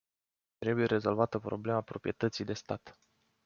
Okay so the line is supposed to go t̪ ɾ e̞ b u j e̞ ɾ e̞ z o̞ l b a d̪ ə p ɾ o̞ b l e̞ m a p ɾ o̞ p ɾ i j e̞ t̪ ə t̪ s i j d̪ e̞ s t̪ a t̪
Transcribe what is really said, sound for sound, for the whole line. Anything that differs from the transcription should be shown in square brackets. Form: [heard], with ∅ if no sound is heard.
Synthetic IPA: t̪ ɾ e̞ b u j e̞ ɾ e̞ z o̞ l [v] a [t̪] ə p ɾ o̞ b l e̞ m a p ɾ o̞ p ɾ i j e̞ t̪ ə t̪ s i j d̪ e̞ s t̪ a t̪